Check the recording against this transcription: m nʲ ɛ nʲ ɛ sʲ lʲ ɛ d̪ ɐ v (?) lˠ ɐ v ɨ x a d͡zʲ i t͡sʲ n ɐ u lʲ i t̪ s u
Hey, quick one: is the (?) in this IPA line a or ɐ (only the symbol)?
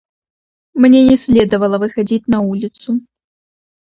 ɐ